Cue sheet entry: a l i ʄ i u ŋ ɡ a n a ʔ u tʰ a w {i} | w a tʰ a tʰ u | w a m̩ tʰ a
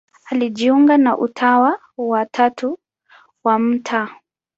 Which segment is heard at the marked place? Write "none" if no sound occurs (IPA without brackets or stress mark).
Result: a